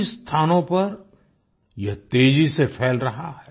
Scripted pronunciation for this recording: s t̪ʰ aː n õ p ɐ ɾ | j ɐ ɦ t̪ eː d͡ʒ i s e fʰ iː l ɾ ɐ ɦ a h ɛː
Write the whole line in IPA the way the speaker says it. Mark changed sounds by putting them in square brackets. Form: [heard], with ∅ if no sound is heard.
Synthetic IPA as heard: s t̪ʰ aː n õ p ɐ ɾ | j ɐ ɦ t̪ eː d͡ʒ i s e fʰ [ɛː] l ɾ ɐ ɦ a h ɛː